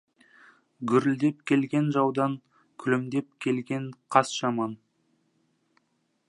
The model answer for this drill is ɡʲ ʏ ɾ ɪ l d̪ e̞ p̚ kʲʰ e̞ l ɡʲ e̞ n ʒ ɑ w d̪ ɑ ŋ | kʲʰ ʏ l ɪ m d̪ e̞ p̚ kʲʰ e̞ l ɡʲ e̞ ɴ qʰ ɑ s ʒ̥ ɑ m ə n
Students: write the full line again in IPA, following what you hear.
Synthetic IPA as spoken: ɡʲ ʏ ɾ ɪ l d̪ e̞ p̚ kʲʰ e̞ l ɡʲ e̞ n ʒ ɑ w d̪ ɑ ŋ | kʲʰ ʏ l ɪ m d̪ e̞ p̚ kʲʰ e̞ l ɡʲ e̞ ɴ qʰ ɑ s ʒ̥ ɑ m ɑ n